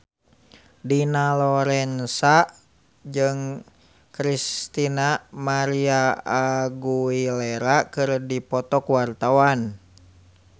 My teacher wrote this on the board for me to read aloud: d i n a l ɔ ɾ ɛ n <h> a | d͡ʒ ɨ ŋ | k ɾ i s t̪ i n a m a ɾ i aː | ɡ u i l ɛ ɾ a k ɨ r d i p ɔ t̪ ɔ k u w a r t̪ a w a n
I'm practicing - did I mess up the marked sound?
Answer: yes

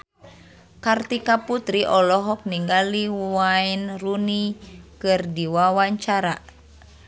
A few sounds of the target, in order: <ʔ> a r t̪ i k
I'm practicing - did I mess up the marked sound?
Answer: yes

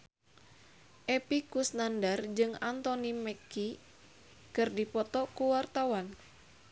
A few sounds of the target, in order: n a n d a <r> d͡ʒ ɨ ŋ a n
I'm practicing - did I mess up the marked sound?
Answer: no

